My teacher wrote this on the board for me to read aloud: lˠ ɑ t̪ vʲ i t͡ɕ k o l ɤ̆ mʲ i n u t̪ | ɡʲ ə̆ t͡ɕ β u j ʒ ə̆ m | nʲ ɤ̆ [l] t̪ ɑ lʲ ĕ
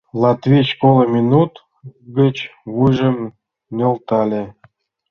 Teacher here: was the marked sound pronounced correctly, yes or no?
yes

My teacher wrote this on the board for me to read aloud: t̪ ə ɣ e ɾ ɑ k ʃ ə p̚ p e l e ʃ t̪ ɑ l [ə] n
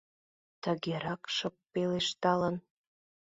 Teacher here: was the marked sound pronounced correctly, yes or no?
yes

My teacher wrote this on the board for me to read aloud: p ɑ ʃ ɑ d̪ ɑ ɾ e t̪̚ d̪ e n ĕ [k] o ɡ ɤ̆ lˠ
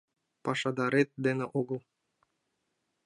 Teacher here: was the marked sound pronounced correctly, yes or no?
no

